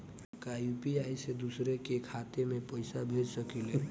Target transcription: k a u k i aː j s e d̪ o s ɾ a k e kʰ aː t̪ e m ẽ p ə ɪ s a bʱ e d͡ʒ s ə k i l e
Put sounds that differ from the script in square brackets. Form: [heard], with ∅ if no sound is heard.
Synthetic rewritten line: k a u [p] i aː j s e d̪ [u] s ɾ [e] k e kʰ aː t̪ e m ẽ p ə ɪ s a bʱ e d͡ʒ s ə k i l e

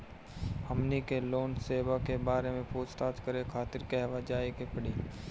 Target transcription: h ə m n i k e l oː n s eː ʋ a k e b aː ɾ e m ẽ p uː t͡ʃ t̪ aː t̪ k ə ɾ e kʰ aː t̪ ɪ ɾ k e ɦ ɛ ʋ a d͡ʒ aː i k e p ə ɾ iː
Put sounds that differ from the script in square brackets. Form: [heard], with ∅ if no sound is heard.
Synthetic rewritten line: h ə m n i k e l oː n s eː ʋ a k e b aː ɾ e m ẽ p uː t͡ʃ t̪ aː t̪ k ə ɾ e kʰ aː t̪ ɪ ɾ k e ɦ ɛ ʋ a d͡ʒ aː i k e p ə [ɽ] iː

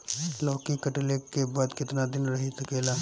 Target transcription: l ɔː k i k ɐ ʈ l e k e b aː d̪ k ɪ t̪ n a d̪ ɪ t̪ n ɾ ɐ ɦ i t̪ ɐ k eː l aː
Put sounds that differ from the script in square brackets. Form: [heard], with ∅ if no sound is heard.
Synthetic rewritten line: l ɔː k i k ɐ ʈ l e k e b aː d̪ k ɪ t̪ n a d̪ ɪ [∅] n ɾ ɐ ɦ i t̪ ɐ k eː l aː

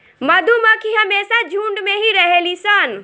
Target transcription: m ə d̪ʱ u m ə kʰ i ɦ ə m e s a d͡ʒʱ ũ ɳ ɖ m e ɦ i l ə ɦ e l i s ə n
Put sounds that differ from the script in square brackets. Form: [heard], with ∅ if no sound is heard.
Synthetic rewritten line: m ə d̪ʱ u m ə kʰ i ɦ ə m e s a d͡ʒʱ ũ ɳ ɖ m e ɦ i [ɾ] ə ɦ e l i s ə n

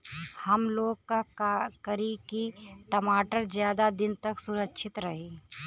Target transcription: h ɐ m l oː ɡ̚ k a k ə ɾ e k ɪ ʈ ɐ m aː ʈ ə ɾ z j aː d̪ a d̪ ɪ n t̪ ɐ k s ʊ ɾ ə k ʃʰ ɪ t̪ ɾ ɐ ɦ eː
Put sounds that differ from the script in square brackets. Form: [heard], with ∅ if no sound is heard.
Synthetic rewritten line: h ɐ m l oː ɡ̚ k a k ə ɾ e k [i] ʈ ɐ m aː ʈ ə ɾ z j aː d̪ a d̪ ɪ n t̪ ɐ k s ʊ ɾ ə k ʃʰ ɪ t̪ ɾ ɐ ɦ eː

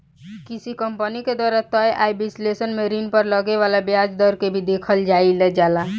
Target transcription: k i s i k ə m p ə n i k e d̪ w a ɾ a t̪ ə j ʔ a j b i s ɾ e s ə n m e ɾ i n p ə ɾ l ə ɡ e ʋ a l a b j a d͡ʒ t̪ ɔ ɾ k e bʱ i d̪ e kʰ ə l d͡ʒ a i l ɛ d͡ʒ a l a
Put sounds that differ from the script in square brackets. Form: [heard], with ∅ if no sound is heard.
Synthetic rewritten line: k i s i k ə m p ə n i k e d̪ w a ɾ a t̪ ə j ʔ a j b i s [l] e s ə n m e ɾ i n p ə ɾ l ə ɡ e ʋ a l a b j a d͡ʒ [d̪] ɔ ɾ k e bʱ i d̪ e kʰ ə l d͡ʒ a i l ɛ d͡ʒ a l a

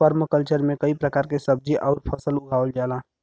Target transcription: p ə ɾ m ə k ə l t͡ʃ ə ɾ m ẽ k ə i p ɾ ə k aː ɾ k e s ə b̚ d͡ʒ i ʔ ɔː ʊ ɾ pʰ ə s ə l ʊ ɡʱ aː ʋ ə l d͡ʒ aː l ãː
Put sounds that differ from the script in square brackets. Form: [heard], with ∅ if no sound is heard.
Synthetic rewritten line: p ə ɾ m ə k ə l t͡ʃ ə ɾ m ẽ k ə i p ɾ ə k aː ɾ k e s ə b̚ d͡ʒ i ʔ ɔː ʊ ɾ pʰ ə s ə l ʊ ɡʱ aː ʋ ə l d͡ʒ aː l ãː

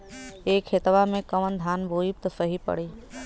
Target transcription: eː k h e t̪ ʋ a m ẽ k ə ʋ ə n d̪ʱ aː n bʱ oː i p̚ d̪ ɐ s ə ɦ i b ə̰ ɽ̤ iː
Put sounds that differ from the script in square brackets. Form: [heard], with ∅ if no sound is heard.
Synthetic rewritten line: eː k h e t̪ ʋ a m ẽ k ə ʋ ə n d̪ʱ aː n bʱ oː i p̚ [t̪] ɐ s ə ɦ i [p] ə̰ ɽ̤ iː

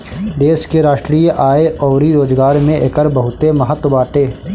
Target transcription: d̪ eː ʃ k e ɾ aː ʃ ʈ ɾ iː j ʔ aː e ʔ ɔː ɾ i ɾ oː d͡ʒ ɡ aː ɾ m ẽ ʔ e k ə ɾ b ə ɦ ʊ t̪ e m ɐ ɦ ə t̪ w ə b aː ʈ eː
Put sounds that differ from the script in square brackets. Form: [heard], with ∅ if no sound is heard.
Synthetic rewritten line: d̪ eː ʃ k e ɾ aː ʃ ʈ ɾ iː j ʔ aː e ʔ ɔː ɾ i ɾ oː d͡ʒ ɡ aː ɾ m ẽ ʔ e k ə ɾ b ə ɦ ʊ t̪ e m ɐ ɦ ə t̪ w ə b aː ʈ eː

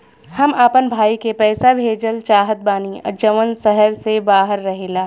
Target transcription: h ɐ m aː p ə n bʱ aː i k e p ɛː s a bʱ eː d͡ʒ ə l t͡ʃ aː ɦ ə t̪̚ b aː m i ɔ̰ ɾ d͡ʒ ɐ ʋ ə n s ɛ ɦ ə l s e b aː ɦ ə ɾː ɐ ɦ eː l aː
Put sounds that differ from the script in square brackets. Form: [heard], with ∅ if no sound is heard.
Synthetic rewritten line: h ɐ m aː p ə n bʱ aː i k e p ɛː s a bʱ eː d͡ʒ ə l t͡ʃ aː ɦ ə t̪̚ b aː [n] i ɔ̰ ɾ d͡ʒ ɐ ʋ ə n s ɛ ɦ ə [ɾ] s e b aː ɦ ə ɾː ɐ ɦ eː l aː

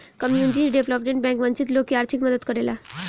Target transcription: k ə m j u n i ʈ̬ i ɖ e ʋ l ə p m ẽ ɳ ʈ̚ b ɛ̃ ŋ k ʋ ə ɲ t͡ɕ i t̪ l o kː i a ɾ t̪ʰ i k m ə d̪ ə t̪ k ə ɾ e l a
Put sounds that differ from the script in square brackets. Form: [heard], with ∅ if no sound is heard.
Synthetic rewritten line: k ə m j u n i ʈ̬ i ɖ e ʋ l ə p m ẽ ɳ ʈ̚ b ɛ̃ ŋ k ʋ ə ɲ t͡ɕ i t̪ l o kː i a ɾ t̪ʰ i k m ə d̪ ə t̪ k ə ɾ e l a

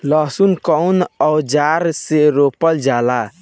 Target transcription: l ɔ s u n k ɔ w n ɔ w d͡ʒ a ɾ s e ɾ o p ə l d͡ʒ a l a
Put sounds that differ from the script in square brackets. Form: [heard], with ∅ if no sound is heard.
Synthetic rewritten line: l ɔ s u n k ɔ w n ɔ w d͡ʒ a ɾ s e ɾ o p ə l d͡ʒ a l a

